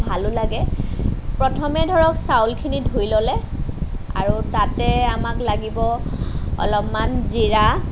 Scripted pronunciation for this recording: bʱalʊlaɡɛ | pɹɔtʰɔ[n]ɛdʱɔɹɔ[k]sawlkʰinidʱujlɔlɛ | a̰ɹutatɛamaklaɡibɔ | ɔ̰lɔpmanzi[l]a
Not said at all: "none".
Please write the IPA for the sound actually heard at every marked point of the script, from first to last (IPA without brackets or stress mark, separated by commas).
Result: m, k, ɹ